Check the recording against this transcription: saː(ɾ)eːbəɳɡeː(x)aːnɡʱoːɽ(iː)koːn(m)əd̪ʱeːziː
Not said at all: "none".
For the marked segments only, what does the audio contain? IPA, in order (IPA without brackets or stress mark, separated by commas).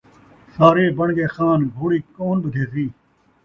ɾ, x, iː, b